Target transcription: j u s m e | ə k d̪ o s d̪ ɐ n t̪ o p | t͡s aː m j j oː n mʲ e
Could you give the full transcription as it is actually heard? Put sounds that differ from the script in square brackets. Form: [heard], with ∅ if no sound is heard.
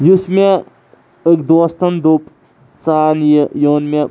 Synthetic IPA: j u s m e | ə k d̪ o s [t̪] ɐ n [d̪] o p | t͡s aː [n] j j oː n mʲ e

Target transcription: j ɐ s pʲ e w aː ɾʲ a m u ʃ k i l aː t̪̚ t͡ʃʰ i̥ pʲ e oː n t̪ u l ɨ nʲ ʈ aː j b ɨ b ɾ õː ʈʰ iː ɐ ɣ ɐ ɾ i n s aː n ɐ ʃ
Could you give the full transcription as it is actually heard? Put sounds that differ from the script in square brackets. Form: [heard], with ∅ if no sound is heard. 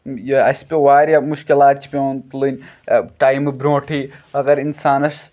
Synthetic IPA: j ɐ s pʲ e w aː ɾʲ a m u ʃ k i l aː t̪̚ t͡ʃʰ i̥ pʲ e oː n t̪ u l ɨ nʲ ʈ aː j [m] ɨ b ɾ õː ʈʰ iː ɐ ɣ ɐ ɾ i n s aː n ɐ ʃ

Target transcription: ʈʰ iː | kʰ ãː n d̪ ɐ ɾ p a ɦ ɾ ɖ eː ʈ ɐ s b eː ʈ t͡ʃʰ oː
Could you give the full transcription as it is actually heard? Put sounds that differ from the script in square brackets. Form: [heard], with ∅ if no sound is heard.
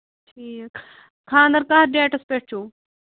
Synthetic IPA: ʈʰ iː | kʰ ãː n d̪ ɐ ɾ [k] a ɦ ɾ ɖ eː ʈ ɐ s [p] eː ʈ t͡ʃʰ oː

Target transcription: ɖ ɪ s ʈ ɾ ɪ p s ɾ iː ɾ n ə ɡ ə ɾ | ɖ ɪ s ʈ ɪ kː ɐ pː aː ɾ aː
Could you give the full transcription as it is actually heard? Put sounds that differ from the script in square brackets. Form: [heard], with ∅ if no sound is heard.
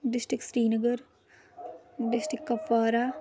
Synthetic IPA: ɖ ɪ s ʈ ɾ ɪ [k] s ɾ iː [∅] n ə ɡ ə ɾ | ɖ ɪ s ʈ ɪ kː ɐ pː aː ɾ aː

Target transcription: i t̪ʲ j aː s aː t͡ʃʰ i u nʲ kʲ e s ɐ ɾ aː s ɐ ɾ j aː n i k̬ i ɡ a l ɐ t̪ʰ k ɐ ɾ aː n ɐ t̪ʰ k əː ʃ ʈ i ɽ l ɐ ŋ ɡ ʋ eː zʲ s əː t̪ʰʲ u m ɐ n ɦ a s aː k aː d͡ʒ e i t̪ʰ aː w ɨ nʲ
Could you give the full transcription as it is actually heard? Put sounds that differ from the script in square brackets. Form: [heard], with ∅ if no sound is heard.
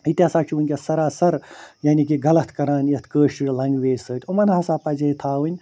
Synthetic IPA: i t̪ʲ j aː s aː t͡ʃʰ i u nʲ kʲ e s ɐ ɾ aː s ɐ ɾ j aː n i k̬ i ɡ [ɐ] l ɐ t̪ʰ k ɐ ɾ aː n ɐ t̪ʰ k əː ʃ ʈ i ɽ l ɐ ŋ ɡ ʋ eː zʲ s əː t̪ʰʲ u m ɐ n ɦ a s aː [p] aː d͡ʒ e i t̪ʰ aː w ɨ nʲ

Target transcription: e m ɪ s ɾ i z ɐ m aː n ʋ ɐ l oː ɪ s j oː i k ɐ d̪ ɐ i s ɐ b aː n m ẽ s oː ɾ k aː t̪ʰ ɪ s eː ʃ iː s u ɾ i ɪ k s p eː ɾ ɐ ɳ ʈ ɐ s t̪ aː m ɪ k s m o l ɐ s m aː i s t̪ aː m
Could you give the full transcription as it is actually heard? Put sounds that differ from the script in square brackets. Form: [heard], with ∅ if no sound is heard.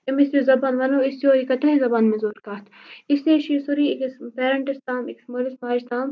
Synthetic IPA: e m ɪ s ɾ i z ɐ [b] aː n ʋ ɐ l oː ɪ s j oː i k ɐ [t̪] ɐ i [z] ɐ b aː n m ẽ [z] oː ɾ k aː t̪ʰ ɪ s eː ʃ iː s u ɾ i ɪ k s p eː ɾ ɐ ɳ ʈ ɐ s t̪ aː m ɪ k s m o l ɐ s m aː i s t̪ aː m

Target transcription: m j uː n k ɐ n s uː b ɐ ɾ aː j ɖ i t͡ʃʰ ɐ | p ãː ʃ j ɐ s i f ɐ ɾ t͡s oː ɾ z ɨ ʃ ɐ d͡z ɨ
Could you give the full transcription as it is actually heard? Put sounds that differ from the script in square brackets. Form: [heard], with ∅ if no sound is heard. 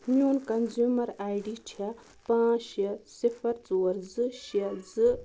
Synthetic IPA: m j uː n k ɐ n [z] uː [m] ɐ ɾ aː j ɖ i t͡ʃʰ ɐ | p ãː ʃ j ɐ s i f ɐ ɾ t͡s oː ɾ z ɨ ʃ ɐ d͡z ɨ

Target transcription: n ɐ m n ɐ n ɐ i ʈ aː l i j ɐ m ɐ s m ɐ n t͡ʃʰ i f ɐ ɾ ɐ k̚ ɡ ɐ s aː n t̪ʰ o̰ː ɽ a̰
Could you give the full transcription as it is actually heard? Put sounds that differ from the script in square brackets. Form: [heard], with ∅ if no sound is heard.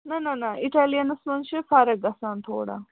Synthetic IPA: n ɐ [∅] n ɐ n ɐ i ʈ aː l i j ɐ [n] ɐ s m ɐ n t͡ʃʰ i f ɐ ɾ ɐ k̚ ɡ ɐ s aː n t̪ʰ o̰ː ɽ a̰

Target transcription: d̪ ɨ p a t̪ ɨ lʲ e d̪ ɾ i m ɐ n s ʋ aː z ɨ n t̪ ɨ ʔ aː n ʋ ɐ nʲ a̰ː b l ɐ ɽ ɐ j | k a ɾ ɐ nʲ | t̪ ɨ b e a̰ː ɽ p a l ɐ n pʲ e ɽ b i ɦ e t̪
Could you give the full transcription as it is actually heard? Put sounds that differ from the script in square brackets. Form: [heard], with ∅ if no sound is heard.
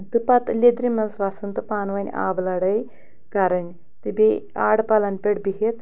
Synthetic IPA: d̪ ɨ p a t̪ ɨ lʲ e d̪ ɾ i m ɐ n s ʋ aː [s] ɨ n t̪ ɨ [p] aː n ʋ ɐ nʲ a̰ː b l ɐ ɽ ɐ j | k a ɾ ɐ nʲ | t̪ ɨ b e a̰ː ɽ p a l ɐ n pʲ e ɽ b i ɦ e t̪

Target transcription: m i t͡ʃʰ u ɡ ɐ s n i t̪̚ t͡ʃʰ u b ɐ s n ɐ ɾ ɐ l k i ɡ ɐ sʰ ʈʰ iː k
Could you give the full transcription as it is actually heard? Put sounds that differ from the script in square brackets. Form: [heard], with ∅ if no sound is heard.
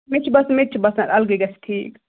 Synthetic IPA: m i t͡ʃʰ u [b] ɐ s [m] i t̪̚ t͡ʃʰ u b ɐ s n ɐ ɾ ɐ l [ɡ] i ɡ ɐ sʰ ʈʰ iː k

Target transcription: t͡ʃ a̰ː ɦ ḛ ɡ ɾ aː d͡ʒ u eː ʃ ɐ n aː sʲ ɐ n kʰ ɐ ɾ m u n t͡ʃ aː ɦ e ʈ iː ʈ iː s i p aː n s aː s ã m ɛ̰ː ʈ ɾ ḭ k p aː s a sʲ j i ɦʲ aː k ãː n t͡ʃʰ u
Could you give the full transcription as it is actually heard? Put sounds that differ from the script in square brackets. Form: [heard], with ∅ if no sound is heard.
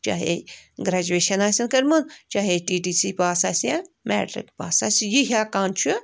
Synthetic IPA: t͡ʃ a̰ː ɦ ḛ ɡ ɾ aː d͡ʒ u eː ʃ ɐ n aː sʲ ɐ n [k] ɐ ɾ m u n t͡ʃ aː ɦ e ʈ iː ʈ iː s i p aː [∅] s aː s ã m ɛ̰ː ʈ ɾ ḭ k p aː s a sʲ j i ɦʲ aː k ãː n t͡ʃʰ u

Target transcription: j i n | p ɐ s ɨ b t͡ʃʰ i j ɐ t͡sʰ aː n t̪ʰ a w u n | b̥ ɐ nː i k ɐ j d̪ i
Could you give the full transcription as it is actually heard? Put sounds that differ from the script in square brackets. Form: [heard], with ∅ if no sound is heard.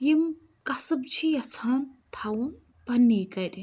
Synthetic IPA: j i [m] | [k] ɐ s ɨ b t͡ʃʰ i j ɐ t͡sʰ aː n t̪ʰ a w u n | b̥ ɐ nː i k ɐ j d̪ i

